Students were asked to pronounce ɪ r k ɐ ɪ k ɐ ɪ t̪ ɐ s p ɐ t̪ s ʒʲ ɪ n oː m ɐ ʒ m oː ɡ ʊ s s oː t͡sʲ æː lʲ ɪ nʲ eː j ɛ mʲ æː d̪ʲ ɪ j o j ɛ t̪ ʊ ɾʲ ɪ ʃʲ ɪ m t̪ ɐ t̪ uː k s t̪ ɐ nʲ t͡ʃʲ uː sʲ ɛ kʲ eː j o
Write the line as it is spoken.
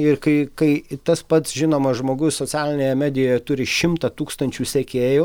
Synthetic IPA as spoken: ɪ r k ɐ ɪ k ɐ ɪ t̪ ɐ s p ɐ t̪ s ʒʲ ɪ n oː m ɐ ʒ m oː ɡ ʊ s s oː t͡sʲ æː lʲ ɪ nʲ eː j ɛ mʲ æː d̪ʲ ɪ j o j ɛ t̪ ʊ ɾʲ ɪ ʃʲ ɪ m t̪ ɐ t̪ uː k s t̪ ɐ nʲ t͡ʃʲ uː sʲ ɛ kʲ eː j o